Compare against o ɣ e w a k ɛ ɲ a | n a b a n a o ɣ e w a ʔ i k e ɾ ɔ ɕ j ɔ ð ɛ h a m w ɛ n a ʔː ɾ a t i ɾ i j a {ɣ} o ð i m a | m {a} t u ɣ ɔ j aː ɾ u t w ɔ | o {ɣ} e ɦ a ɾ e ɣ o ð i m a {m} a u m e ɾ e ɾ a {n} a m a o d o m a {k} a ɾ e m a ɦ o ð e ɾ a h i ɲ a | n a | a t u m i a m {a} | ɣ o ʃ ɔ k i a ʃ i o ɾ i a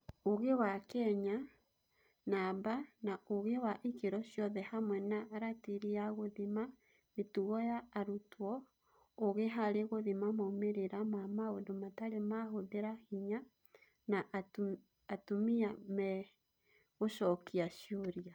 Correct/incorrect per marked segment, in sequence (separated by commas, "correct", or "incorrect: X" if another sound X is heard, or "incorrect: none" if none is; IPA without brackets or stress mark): correct, incorrect: e, correct, correct, incorrect: m, incorrect: t, incorrect: ɛ